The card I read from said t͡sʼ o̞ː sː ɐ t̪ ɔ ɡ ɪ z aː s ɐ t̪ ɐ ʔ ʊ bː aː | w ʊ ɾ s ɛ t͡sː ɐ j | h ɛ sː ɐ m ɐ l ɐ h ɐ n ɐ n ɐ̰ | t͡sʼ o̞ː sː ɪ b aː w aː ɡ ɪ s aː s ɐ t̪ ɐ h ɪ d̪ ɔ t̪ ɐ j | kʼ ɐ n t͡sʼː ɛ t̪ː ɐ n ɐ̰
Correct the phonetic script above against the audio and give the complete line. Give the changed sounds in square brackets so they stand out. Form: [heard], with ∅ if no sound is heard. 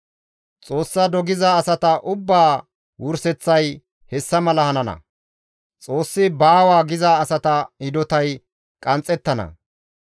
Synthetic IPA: t͡sʼ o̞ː sː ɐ [d̪] ɔ ɡ ɪ z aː s ɐ t̪ ɐ ʔ ʊ bː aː | w ʊ ɾ s ɛ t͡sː ɐ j | h ɛ sː ɐ m ɐ l ɐ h ɐ n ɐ n ɐ̰ | t͡sʼ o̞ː sː ɪ b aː w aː ɡ ɪ [z] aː s ɐ t̪ ɐ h ɪ d̪ ɔ t̪ ɐ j | kʼ ɐ n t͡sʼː ɛ t̪ː ɐ n ɐ̰